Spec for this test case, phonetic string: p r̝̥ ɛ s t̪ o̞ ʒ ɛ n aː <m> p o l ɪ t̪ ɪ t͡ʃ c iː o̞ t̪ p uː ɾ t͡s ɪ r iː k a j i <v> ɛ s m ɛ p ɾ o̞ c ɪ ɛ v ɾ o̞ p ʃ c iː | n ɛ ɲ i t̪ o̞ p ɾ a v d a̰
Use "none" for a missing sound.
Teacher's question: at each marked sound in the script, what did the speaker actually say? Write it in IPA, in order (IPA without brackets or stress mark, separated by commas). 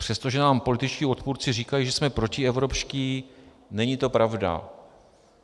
m, ʒ